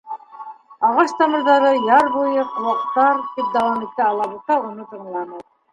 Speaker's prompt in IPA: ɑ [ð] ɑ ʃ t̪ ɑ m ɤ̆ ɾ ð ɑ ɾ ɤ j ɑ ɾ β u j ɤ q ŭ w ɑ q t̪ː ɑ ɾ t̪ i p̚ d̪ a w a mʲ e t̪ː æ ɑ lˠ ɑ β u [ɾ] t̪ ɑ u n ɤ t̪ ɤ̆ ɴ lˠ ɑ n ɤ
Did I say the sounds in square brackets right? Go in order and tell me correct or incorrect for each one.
incorrect, incorrect

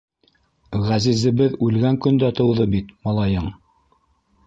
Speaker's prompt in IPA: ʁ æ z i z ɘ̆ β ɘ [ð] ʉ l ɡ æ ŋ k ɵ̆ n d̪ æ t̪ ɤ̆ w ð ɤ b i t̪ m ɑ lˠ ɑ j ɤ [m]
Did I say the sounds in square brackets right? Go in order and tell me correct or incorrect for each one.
correct, incorrect

